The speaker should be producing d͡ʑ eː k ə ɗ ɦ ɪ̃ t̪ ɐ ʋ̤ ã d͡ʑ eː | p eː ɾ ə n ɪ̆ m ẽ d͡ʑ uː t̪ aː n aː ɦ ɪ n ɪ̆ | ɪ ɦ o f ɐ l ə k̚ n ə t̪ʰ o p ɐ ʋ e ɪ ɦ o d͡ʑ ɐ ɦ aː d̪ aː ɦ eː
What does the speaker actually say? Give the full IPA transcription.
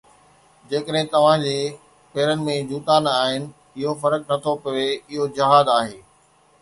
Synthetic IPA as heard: d͡ʑ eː k ə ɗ ɦ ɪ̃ t̪ ɐ ʋ̤ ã d͡ʑ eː | p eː ɾ ə n ɪ̆ m ẽ d͡ʑ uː t̪ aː n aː ɦ ɪ n ɪ̆ | ɪ ɦ o f ɐ ɾ ə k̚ n ɐ t̪ʰ o p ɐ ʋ e ɪ ɦ o d͡ʑ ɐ ɦ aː d̪ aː ɦ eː